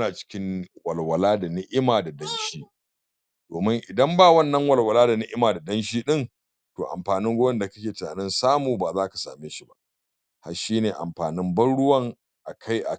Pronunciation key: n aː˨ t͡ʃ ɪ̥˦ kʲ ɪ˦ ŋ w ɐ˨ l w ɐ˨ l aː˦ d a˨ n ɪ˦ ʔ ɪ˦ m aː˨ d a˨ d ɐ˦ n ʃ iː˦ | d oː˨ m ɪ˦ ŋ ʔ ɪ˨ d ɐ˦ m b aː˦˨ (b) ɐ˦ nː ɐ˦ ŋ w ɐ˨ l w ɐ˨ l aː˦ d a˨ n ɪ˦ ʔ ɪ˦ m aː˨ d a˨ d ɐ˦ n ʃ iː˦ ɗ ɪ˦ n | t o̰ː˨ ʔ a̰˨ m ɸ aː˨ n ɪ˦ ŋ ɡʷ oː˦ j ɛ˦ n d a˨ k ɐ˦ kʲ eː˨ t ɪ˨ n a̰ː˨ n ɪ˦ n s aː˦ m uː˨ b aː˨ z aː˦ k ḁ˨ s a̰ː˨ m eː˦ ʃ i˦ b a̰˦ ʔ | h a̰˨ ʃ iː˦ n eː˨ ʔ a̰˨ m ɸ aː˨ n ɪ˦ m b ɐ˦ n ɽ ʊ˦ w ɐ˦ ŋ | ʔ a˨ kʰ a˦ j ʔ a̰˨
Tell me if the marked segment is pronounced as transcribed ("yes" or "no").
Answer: no